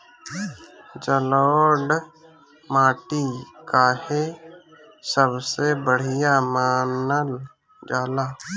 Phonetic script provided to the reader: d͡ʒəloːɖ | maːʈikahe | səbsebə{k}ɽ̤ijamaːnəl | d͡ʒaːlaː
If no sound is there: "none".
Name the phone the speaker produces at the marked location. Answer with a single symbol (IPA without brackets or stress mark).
none